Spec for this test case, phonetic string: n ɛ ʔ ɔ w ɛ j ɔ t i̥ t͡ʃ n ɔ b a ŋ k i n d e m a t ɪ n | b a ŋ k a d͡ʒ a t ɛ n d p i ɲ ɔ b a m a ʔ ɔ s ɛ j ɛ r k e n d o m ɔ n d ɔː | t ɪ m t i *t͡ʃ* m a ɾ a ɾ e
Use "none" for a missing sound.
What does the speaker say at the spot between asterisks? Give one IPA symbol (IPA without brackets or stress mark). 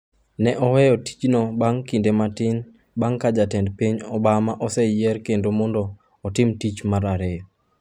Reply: t͡ʃ